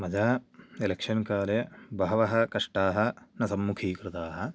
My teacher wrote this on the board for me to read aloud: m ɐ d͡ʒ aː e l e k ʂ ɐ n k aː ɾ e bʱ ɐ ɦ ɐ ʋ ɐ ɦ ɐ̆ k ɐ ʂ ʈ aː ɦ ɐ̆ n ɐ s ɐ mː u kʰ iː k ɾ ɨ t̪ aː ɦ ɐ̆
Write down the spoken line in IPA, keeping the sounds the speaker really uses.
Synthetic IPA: m ɐ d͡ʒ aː e l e k ʂ ɐ n k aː l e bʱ ɐ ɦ ɐ ʋ ɐ ɦ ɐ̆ k ɐ ʂ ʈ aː ɦ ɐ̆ n ɐ s ɐ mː u kʰ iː k ɾ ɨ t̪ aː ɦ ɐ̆